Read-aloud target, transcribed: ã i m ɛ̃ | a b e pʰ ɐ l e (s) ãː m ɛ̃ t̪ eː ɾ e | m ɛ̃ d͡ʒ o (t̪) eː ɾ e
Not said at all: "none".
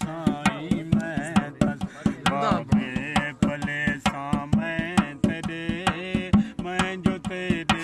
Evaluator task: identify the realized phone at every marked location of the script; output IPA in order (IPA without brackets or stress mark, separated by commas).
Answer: s, t̪